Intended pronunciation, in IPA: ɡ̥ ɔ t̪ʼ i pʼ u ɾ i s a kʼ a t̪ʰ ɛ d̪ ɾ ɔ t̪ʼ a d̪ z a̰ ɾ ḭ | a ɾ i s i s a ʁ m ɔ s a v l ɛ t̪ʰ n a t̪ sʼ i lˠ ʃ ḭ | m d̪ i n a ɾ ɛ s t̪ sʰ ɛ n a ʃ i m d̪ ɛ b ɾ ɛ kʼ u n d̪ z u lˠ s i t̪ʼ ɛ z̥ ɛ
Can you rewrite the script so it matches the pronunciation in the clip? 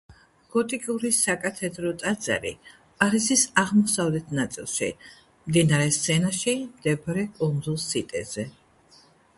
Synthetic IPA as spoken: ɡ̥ ɔ t̪ʼ i kʼ u ɾ i s a kʼ a t̪ʰ ɛ d̪ ɾ ɔ t̪ʼ a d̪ z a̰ ɾ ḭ | a ɾ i s i s a ʁ m ɔ s a v l ɛ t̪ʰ n a t̪ sʼ i lˠ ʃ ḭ | m d̪ i n a ɾ ɛ s t̪ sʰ ɛ n a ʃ i m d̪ ɛ b ɾ ɛ kʼ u n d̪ z u lˠ s i t̪ʼ ɛ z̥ ɛ